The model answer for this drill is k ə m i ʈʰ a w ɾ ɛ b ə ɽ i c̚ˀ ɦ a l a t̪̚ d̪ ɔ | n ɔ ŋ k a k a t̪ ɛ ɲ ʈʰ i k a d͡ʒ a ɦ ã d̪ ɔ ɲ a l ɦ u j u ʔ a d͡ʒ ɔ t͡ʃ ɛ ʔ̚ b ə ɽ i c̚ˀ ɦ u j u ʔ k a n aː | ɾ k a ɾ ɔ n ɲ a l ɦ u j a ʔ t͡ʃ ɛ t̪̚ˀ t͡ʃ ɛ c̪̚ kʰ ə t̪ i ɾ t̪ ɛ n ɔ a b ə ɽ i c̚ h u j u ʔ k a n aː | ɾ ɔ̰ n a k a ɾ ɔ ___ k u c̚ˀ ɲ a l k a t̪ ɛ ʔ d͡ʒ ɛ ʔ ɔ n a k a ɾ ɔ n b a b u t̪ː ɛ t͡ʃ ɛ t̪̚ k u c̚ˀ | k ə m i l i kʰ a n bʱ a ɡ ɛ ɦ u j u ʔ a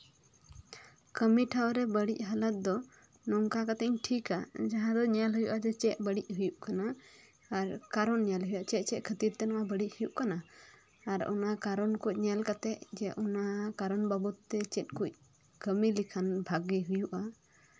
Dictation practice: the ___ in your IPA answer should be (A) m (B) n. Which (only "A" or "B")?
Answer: B